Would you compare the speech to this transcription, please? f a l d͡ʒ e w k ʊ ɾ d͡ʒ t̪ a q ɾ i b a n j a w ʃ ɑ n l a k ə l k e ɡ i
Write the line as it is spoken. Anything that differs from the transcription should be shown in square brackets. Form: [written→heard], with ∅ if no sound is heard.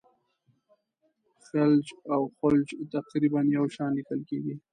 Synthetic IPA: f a l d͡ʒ [e→a] w [k→x] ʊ [ɾ→l] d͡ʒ t̪ a q ɾ i b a n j a w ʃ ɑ n l [a→i] k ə l k e ɡ i